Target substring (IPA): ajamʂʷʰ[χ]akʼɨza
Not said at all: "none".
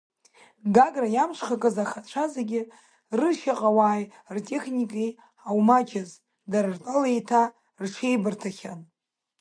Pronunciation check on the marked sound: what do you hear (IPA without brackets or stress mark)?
χ